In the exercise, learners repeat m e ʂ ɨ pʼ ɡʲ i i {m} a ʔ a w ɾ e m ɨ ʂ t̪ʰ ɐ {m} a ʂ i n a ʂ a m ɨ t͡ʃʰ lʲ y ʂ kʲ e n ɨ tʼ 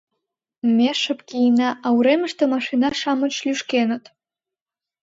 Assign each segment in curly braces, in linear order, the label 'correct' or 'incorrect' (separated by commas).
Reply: incorrect, correct